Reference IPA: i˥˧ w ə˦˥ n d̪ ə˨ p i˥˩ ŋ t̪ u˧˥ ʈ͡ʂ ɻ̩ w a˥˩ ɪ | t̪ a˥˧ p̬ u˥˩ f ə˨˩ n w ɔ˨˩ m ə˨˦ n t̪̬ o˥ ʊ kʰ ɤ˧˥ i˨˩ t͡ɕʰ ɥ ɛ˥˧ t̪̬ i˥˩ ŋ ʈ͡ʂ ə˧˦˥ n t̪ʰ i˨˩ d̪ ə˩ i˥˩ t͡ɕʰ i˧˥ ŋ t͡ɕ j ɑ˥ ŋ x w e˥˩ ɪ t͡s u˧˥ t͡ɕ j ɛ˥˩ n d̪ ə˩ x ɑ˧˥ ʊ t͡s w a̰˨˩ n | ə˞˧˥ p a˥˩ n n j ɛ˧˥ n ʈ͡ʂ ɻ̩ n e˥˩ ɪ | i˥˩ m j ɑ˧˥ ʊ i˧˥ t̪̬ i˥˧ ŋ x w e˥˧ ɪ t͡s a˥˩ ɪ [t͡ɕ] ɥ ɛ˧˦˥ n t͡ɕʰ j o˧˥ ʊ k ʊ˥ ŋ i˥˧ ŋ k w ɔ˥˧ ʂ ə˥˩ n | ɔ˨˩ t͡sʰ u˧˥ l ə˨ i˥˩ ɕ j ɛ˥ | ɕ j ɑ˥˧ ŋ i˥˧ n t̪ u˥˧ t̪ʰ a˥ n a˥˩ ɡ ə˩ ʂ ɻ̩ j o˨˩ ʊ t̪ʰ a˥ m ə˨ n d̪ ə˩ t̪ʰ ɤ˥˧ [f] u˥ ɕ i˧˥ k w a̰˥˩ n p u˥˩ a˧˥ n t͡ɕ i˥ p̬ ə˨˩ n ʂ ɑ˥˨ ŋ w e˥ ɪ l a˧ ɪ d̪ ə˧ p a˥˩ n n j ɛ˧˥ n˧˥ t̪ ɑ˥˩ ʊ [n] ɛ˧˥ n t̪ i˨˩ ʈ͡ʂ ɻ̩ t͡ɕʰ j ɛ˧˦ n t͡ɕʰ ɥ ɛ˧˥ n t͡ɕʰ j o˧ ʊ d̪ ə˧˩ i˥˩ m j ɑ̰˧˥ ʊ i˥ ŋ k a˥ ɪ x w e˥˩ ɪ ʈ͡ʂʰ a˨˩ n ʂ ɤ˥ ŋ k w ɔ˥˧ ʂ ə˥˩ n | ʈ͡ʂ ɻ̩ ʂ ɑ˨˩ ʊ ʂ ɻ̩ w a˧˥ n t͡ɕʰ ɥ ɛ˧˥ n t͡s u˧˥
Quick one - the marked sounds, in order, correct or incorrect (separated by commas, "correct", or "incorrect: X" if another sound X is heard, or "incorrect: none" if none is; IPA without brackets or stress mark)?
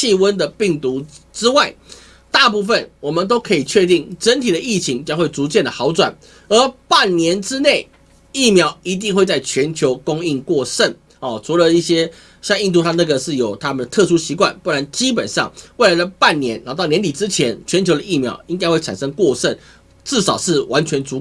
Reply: incorrect: t͡ɕʰ, incorrect: ʂ, correct